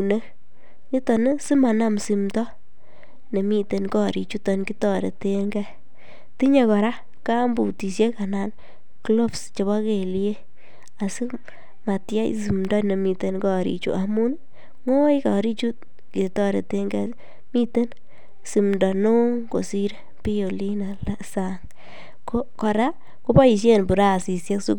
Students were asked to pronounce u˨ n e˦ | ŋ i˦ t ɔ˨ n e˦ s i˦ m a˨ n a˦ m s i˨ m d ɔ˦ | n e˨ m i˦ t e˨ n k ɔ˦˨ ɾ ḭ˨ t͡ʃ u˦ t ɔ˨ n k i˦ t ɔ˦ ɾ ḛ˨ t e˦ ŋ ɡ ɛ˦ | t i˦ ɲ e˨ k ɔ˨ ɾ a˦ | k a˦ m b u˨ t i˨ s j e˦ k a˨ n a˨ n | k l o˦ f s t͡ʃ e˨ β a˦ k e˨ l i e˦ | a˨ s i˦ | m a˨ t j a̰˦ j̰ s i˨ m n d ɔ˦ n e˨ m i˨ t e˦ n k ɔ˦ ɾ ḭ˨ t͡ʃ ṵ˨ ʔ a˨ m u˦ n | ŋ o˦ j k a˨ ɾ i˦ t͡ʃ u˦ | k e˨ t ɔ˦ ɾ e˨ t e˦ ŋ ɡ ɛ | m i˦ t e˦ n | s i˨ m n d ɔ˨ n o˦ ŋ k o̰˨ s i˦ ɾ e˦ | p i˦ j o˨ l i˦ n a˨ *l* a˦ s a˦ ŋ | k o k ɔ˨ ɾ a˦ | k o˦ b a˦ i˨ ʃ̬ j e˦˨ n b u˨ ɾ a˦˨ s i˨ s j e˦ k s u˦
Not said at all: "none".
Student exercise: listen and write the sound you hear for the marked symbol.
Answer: l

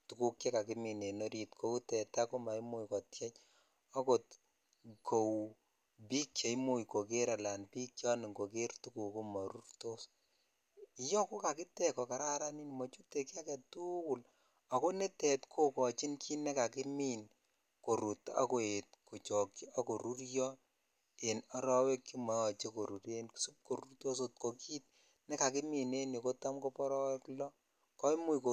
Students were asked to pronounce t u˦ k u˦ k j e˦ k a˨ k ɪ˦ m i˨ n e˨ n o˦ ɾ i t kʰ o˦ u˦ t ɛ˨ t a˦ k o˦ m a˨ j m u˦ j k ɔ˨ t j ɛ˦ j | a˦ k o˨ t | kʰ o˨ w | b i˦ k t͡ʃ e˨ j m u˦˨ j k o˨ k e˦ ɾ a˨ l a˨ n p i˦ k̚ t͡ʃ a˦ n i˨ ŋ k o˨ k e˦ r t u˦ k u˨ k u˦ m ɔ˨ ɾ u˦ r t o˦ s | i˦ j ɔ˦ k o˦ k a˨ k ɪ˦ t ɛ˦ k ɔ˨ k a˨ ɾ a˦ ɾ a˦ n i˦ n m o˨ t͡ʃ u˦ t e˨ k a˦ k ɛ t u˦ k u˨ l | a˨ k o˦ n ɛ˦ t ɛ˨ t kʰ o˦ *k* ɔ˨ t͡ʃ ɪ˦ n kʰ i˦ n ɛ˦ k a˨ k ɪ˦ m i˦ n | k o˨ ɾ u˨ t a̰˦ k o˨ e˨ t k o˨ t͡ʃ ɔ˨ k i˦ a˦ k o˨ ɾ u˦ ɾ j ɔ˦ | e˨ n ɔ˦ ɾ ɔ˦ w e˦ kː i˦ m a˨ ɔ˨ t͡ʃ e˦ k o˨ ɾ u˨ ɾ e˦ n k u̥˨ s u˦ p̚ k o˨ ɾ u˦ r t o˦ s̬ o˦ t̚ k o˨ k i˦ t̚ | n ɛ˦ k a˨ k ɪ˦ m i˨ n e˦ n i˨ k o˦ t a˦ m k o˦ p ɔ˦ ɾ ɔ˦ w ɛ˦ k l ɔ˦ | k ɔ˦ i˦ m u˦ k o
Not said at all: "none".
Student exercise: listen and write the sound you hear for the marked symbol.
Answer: k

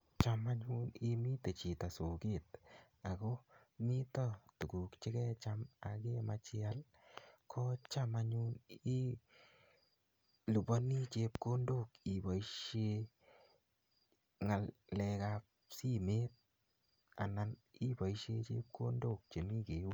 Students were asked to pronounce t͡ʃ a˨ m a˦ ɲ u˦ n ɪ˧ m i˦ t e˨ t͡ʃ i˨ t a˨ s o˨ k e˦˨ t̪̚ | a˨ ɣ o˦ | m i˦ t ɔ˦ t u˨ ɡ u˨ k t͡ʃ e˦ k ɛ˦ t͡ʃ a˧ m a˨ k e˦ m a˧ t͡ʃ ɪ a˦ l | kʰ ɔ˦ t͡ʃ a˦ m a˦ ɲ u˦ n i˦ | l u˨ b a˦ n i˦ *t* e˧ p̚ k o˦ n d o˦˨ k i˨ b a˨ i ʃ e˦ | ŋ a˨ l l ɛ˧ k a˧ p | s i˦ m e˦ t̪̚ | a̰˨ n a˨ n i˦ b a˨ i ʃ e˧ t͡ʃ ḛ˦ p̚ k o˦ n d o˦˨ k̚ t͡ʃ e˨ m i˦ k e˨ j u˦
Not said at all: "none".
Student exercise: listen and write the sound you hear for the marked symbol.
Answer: t͡ʃ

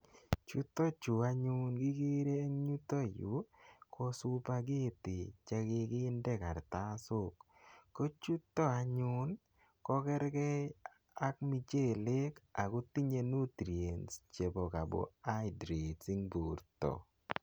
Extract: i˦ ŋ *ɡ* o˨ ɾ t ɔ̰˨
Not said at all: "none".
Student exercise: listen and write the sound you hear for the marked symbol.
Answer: b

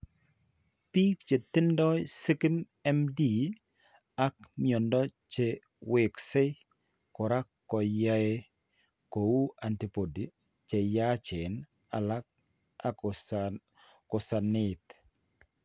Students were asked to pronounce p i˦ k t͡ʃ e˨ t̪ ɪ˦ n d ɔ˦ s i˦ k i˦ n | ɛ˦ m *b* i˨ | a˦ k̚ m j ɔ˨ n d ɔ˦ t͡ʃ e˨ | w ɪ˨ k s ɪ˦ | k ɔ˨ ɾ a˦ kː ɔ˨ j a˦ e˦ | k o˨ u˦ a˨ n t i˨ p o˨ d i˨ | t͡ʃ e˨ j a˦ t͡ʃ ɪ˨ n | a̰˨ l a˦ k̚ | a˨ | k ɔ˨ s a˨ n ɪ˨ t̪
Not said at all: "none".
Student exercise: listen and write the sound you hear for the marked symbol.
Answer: d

